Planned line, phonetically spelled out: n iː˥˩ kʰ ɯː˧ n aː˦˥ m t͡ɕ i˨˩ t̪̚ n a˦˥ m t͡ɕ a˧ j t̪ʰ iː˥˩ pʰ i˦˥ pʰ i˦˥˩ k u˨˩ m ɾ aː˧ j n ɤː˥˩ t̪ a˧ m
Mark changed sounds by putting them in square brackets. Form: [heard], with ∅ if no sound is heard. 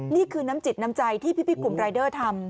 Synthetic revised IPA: n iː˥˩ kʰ ɯː˧ n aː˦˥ m t͡ɕ i˨˩ t̪̚ n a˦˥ m t͡ɕ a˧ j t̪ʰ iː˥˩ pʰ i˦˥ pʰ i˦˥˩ k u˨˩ m ɾ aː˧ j [d] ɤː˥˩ [t̪ʰ] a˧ m